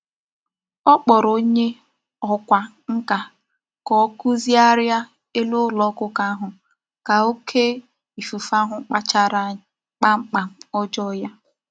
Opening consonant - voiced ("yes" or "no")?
no